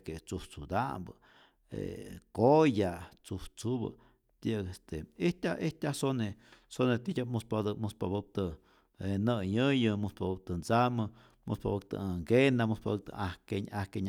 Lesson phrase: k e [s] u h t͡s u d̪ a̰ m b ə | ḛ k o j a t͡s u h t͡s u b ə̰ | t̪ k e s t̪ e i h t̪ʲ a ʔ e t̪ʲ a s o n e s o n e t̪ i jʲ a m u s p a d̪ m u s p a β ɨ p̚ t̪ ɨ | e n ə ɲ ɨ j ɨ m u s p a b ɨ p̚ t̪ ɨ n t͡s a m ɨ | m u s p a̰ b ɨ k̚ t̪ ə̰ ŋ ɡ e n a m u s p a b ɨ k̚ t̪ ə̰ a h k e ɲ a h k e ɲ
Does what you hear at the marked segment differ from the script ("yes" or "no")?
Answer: yes